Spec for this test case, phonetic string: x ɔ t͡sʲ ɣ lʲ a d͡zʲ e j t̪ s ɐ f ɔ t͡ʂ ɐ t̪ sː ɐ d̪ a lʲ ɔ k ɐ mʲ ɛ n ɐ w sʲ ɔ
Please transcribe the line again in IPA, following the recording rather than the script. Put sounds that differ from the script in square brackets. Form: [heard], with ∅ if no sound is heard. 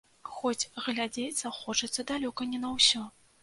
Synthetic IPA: x ɔ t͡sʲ ɣ lʲ a d͡zʲ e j t̪ s ɐ [x] ɔ t͡ʂ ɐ t̪ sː ɐ d̪ a lʲ ɔ k ɐ [nʲ] ɛ n ɐ w sʲ ɔ